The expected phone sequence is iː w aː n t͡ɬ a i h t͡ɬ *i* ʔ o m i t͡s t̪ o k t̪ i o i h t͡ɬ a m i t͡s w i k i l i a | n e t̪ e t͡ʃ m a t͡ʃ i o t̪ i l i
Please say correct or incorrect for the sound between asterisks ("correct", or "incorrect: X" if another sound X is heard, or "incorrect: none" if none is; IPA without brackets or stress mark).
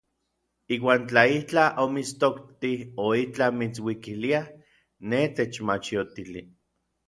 incorrect: a